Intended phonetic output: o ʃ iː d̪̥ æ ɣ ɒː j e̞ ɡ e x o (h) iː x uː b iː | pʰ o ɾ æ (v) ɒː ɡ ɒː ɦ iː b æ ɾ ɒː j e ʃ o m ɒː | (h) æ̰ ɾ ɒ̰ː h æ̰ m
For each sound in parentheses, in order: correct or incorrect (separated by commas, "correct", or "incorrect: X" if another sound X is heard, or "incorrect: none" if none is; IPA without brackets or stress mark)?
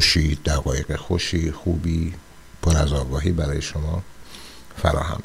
incorrect: ʃ, incorrect: z, incorrect: f